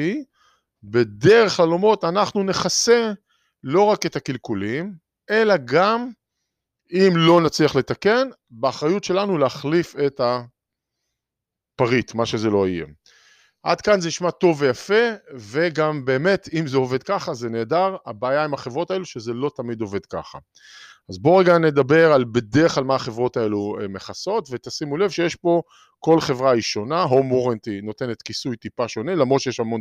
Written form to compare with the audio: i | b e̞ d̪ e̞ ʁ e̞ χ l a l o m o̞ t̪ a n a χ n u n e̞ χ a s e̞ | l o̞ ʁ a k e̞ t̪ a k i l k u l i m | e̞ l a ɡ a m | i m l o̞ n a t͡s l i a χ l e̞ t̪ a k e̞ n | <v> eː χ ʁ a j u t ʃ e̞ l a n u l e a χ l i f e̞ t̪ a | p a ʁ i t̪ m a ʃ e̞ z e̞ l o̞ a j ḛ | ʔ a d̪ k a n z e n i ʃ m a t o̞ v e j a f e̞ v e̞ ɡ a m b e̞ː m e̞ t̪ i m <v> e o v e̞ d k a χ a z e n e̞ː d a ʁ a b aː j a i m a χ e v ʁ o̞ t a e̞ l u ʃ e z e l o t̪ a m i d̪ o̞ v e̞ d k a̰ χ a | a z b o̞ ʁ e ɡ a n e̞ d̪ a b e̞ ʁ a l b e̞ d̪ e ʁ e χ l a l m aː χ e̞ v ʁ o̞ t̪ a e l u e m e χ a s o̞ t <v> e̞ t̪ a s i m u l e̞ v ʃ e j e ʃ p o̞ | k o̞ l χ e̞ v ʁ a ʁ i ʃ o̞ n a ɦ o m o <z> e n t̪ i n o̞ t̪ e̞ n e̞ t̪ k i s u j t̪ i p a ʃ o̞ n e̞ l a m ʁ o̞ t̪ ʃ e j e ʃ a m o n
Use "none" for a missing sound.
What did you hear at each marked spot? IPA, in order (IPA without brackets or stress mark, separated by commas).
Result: b, z, v, ʁ